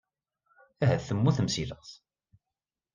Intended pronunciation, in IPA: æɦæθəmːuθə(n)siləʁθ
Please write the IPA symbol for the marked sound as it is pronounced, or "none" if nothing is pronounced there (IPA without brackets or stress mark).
m